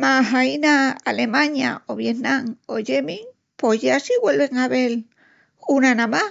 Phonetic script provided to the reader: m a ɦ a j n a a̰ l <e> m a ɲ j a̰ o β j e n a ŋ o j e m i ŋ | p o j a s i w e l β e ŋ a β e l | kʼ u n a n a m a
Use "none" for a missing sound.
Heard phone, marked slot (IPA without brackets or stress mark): e